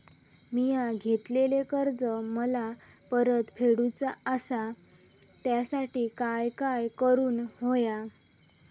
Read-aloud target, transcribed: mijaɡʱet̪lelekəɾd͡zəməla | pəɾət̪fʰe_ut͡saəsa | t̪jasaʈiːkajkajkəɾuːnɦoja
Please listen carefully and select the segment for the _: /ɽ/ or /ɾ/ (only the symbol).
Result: ɽ